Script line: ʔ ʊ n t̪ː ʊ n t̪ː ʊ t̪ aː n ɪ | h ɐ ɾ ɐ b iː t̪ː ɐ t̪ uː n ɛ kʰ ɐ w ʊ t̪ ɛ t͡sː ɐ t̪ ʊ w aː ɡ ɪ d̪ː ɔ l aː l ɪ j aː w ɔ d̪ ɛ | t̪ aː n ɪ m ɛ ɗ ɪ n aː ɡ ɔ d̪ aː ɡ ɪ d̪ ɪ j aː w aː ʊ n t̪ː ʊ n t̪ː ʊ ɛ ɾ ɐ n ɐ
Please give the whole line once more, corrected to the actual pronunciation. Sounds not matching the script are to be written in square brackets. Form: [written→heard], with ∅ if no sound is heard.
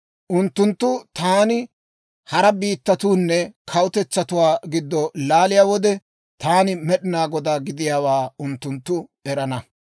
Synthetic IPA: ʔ ʊ n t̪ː ʊ n t̪ː ʊ t̪ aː n ɪ | h ɐ ɾ ɐ b iː t̪ː ɐ t̪ uː [n→nː] ɛ kʰ ɐ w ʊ t̪ ɛ t͡sː ɐ t̪ ʊ w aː ɡ ɪ d̪ː ɔ l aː l ɪ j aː w ɔ d̪ ɛ | t̪ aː n ɪ m ɛ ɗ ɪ n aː ɡ ɔ d̪ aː ɡ ɪ d̪ ɪ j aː w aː ʊ n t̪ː ʊ n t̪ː ʊ ɛ ɾ ɐ n ɐ